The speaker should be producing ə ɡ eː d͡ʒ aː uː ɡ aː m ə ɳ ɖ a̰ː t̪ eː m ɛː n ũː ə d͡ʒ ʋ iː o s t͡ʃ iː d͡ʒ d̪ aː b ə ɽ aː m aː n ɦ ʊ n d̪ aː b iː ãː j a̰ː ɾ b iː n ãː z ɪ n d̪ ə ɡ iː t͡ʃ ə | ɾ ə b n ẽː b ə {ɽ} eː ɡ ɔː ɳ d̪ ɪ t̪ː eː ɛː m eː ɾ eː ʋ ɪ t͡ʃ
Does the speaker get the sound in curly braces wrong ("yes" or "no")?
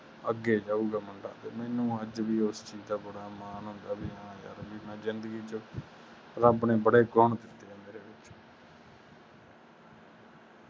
no